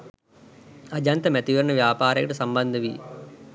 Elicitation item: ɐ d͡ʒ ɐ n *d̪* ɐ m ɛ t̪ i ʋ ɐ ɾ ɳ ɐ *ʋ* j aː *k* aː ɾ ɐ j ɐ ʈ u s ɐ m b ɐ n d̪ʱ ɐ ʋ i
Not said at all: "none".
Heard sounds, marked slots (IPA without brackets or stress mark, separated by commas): t̪, ʋ, p